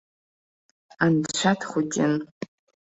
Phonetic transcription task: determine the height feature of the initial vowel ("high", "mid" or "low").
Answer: low